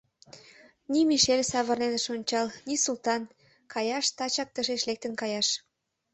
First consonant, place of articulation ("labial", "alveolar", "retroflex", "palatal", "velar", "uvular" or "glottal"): alveolar